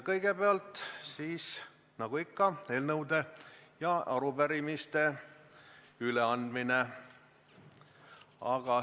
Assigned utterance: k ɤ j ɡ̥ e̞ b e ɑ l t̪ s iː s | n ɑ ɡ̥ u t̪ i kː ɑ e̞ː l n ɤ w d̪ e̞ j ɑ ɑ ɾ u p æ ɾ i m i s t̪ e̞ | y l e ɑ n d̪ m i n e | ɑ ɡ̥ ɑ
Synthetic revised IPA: k ɤ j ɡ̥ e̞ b e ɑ l t̪ s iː s | n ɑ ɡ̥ u i kː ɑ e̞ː l n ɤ w d̪ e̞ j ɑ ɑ ɾ u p æ ɾ i m i s t̪ e̞ | y l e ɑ n d̪ m i n e | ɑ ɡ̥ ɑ

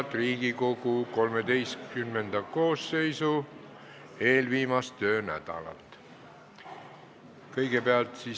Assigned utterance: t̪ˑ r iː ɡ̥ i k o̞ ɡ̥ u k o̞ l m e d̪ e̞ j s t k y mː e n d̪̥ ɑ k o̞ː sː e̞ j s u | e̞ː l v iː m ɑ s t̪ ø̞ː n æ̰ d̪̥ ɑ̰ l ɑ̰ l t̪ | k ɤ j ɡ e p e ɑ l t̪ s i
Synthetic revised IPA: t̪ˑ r iː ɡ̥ i k o̞ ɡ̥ u k o̞ l m e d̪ e̞ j s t k y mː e n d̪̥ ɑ k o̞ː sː e̞ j s u | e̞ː l v iː m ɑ s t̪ ø̞ː n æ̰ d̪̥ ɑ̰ l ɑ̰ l t̪ | k ɤ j ɡ e p e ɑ l t̪ s i

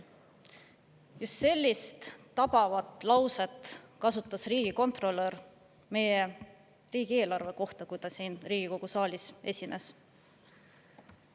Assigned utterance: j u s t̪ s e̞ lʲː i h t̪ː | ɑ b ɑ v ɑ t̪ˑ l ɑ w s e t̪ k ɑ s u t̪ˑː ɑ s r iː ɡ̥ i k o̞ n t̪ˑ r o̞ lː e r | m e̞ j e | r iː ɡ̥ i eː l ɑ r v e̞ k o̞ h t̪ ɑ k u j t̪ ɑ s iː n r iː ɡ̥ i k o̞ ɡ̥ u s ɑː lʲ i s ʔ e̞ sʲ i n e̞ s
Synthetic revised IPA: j u s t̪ s e̞ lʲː i s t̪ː | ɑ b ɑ v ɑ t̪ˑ l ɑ w s e t̪ k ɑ s u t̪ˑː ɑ s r iː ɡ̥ i k o̞ n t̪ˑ r o̞ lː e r | m e̞ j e | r iː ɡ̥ i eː l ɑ r v e̞ k o̞ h t̪ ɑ k u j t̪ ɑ s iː n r iː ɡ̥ i k o̞ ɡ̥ u s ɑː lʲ i s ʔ e̞ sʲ i n e̞ s

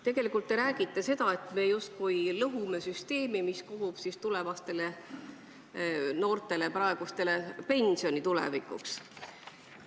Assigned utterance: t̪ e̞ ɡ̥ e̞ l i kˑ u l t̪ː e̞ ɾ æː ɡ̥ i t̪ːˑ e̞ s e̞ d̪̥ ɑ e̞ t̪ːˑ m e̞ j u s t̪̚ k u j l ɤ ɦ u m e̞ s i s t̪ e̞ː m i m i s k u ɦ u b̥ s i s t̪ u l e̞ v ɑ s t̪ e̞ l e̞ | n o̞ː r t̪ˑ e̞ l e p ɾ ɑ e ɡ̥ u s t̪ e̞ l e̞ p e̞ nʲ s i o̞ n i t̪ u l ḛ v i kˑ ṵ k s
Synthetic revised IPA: t̪ e̞ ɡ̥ e̞ l i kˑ u l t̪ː e̞ ɾ æː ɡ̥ i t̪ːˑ e̞ s e̞ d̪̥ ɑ e̞ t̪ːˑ m e̞ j u s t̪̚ k u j l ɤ ɦ u m e̞ s y s t̪ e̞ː m i m i s k u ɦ u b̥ s i s t̪ u l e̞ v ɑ s t̪ e̞ l e̞ | n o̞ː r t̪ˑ e̞ l e p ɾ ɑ e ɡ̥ u s t̪ e̞ l e̞ p e̞ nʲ s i o̞ n i t̪ u l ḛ v i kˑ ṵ k s

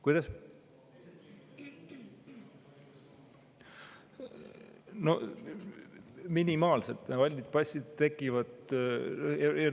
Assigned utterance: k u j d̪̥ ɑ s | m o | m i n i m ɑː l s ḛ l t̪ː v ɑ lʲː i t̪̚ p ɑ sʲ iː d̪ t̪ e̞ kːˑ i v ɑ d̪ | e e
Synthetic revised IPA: k u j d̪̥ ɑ s | n o | m i n i m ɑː l s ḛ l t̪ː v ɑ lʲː i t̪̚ p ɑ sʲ i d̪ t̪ e̞ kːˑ i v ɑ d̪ | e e

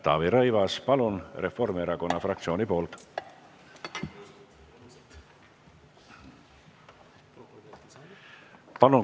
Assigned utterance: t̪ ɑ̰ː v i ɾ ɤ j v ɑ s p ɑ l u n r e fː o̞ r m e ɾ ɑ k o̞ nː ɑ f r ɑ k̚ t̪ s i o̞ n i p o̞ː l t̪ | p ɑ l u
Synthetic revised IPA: t̪ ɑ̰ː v i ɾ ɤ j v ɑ s p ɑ l u n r e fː o̞ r m e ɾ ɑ k o̞ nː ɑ f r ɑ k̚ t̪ s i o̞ n i p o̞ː l t̪ | p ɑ l u

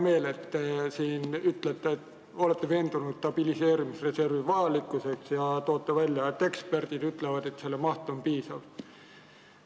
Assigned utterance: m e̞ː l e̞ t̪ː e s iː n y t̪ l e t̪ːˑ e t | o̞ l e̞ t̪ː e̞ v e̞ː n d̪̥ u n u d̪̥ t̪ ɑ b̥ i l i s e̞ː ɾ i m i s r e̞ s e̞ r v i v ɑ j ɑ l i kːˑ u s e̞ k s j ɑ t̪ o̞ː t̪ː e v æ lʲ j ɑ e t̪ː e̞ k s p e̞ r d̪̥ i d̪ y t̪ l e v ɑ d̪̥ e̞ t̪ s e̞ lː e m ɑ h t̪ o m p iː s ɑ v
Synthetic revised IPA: m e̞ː l e̞ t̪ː e s iː n y t̪ l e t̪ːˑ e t | o̞ l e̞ t̪ː e̞ v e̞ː n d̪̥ u n u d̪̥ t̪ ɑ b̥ i l i s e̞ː ɾ i m i s r e̞ s e̞ r v i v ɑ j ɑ l i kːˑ u s e̞ k s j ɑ t̪ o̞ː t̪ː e v æ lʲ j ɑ e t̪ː e̞ k s p e̞ r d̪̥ i d̪ y t̪ l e v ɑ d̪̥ e̞ t̪ s e̞ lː e m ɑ h t̪ o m p iː s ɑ v

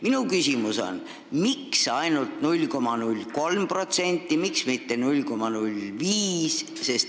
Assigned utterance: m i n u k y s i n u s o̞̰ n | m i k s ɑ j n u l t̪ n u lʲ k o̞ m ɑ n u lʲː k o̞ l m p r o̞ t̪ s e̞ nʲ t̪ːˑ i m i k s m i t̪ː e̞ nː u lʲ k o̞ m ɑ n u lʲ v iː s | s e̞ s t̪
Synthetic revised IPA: m i n u k y s i m u s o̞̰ n | m i k s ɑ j n u l t̪ n u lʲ k o̞ m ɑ n u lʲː k o̞ l m p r o̞ t̪ s e̞ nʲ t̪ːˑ i m i k s m i t̪ː e̞ n u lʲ k o̞ m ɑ n u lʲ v iː s | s e̞ s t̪

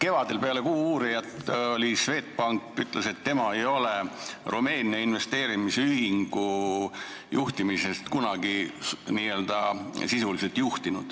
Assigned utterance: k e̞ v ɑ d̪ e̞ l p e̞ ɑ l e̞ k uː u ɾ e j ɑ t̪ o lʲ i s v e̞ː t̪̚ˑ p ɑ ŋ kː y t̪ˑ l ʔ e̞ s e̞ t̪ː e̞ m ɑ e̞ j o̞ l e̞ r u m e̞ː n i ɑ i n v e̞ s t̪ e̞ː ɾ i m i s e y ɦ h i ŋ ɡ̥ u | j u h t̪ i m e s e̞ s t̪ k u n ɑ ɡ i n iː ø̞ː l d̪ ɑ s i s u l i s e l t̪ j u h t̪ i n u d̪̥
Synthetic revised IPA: k e̞ v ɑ d̪ e̞ l p e̞ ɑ l e̞ k uː uː ɾ i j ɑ t̪ o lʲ i s v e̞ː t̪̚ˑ p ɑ ŋ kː y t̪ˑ l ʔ e̞ s e̞ t̪ː e̞ m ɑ e̞ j o̞ l e̞ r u m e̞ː n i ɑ i n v e̞ s t̪ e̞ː ɾ i m i s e y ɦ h i ŋ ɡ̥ u | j u h t̪ i m i s e̞ s t̪ k u n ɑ ɡ i n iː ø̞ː l d̪ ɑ s i s u l i s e l t̪ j u h t̪ i n u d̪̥

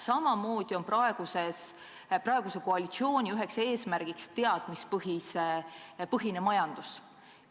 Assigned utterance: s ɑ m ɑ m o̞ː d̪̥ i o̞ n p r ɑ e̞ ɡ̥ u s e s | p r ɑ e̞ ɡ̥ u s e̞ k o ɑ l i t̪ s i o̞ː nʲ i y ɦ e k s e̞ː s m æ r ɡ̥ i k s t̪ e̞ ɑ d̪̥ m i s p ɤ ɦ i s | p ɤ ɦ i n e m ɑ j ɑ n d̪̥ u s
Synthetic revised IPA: s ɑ m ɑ m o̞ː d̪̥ i o̞ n p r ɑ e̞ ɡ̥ u s e s | p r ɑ e̞ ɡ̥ u s e̞ k o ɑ l i t̪ s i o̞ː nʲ i y ɦ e k s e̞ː s m æ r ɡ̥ i k s t̪ e̞ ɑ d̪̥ m i s p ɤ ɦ i s | p ɤ ɦ i n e m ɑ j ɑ n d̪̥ u s

